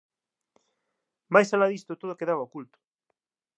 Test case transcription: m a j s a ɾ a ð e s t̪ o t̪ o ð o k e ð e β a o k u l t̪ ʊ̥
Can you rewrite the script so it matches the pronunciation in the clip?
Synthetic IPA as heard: m a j s a l a ð i s t̪ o t̪ o ð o k e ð a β a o k u l t̪ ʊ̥